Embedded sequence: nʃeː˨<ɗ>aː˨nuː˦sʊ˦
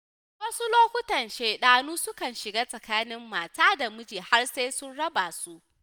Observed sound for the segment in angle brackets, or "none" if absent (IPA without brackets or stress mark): ɗ